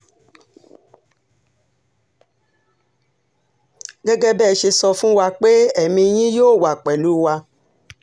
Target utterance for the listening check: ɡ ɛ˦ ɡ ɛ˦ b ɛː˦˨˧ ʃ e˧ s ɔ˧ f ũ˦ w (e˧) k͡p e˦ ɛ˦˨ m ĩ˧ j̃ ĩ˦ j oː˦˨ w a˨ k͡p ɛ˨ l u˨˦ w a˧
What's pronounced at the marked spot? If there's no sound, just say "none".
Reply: a˧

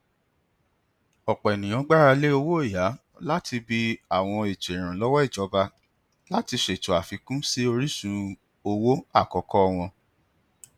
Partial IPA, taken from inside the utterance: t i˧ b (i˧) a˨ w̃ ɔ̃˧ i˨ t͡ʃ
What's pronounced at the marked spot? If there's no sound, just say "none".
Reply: i˧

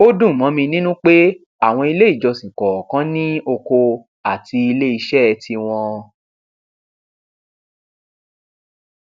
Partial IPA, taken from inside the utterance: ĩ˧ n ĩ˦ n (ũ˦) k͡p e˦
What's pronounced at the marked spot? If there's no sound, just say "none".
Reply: ũ˦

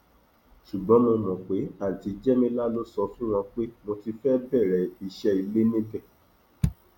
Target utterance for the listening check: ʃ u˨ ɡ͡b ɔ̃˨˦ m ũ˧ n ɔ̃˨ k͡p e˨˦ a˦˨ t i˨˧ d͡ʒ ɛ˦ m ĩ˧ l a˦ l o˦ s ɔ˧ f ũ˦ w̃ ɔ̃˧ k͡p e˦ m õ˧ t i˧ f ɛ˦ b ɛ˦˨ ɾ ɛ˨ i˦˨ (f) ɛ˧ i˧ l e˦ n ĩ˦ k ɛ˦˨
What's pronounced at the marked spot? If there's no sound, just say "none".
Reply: ʃ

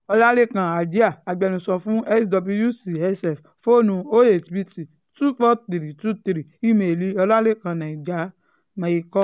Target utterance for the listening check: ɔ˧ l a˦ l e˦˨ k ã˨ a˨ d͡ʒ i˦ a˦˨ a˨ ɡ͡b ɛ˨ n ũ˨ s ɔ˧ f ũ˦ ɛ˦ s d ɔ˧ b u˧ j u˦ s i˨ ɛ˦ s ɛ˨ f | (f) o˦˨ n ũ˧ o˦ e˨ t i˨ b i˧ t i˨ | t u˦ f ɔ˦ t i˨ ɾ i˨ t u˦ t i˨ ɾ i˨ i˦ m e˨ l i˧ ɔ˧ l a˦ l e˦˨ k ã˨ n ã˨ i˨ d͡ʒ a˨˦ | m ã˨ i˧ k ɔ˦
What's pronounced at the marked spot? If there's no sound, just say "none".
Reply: f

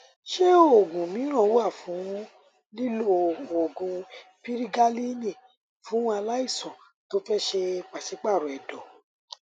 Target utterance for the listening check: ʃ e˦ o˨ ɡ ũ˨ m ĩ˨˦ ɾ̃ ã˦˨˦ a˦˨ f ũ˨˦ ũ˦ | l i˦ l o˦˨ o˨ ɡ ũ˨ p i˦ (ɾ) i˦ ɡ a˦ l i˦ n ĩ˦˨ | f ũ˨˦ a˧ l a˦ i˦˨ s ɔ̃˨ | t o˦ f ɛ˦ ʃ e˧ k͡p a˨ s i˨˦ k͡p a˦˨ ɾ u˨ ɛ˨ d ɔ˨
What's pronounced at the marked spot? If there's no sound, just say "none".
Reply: ɾ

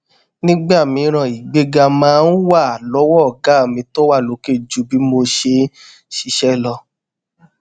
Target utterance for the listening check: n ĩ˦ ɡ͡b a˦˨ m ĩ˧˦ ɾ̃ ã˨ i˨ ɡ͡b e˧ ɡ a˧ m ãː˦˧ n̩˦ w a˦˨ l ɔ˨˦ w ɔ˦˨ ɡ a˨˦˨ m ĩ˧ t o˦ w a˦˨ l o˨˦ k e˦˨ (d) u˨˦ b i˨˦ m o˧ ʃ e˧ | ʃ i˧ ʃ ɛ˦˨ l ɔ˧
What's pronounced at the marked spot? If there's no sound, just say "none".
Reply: d͡ʒ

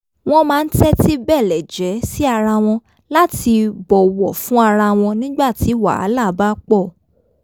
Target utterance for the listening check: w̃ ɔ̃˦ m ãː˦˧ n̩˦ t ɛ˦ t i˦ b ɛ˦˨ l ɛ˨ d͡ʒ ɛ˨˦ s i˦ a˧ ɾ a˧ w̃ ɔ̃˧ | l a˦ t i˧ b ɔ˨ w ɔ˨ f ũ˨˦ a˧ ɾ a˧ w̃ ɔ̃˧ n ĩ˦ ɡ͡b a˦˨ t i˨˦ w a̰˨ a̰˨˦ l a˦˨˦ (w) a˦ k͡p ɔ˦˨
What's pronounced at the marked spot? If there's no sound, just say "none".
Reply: b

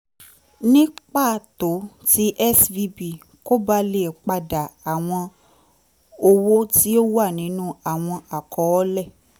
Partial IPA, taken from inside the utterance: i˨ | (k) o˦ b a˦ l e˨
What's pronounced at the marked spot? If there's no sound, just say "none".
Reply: k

